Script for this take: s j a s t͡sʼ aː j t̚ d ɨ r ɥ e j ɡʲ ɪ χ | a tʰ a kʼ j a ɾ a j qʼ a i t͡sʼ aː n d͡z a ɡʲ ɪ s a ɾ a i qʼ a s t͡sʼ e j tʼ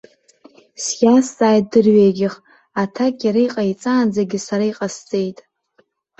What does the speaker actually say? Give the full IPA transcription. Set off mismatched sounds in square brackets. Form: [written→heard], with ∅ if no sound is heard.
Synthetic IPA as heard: s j a s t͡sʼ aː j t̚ d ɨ r ɥ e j ɡʲ ɪ χ | a tʰ a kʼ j a ɾ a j qʼ a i t͡sʼ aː n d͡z a ɡʲ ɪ s a ɾ a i qʼ a s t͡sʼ e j tʼ